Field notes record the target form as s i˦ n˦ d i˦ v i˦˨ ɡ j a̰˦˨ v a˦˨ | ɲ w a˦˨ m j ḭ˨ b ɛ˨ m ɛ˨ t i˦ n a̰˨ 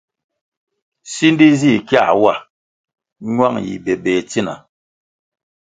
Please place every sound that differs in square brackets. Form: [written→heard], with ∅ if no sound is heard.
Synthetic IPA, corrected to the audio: s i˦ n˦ d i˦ [v→z] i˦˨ [ɡ→k] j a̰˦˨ [v→w] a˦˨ | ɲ w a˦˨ [m→ŋ] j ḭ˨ b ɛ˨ [m→b] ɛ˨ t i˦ n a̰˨